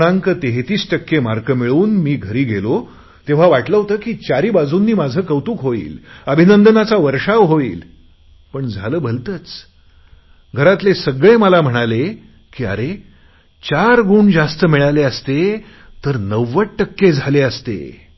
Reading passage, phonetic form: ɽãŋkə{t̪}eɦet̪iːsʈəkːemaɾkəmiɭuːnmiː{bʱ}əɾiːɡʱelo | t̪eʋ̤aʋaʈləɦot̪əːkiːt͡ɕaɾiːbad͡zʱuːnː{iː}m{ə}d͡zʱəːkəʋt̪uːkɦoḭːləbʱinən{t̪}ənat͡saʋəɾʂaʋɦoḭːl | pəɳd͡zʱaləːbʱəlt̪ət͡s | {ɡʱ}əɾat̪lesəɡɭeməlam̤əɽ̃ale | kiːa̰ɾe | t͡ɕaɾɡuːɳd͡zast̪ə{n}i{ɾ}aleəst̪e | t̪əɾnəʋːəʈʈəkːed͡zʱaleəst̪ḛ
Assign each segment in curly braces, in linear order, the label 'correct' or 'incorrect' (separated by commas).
correct, incorrect, correct, incorrect, incorrect, correct, incorrect, incorrect